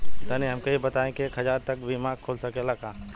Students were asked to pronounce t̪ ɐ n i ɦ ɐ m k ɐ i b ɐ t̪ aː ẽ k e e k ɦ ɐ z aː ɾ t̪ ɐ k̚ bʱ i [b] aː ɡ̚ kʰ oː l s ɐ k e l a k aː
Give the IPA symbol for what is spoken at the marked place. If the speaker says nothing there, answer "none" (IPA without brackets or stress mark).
m